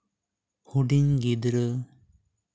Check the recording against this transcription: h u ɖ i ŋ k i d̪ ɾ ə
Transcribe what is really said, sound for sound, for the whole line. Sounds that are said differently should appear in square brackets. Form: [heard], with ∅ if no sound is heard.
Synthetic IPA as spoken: h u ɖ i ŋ [ɡ] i d̪ ɾ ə

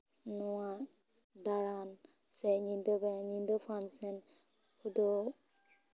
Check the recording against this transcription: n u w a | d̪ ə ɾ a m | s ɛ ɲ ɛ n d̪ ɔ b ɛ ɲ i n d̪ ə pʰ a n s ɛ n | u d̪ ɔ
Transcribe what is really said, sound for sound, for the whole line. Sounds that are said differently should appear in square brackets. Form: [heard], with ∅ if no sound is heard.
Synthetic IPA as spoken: n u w a | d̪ [a] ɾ a [n] | s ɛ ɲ [i] n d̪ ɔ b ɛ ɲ i n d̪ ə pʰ a n s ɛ n | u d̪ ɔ

